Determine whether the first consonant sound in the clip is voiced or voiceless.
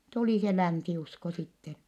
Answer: voiceless